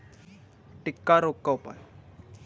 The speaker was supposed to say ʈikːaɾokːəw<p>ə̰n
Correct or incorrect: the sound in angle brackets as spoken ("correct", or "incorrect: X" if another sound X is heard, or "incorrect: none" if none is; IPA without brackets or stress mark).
correct